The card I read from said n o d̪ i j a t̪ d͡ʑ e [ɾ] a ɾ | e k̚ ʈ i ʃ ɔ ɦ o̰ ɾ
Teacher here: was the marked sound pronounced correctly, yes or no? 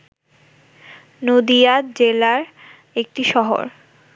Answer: no